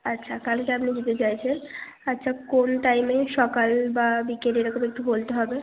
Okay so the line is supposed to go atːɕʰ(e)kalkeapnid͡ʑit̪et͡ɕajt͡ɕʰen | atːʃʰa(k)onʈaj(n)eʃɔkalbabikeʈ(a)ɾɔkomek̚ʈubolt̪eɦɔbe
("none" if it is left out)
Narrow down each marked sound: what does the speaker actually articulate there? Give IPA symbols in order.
a, k, m, e

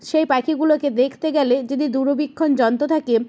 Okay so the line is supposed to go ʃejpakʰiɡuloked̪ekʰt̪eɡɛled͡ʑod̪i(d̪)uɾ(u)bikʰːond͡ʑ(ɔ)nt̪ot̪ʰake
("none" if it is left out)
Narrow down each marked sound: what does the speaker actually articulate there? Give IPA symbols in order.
d̪, o, ɔ

